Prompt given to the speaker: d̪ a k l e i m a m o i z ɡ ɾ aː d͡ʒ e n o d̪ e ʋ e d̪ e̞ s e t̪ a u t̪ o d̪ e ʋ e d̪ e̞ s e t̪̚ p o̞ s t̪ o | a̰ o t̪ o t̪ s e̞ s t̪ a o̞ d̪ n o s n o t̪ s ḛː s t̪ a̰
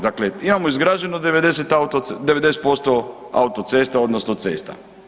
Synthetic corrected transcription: d̪ a k l e i m a m o i z ɡ ɾ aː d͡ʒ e n o d̪ e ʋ e d̪ e̞ s e t̪ a u t̪ o d̪ e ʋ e d̪ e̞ s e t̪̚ p o̞ s t̪ o | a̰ u t̪ o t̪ s e̞ s t̪ a o̞ d̪ n o s n o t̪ s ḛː s t̪ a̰